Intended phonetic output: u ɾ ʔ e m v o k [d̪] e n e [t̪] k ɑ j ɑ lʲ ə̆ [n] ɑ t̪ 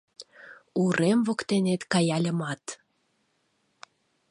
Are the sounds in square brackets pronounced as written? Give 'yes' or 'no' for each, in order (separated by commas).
no, yes, no